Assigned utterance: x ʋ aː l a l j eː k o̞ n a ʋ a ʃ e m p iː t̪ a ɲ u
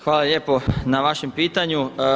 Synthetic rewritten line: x ʋ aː l a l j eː p o̞ n a ʋ a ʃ e m p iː t̪ a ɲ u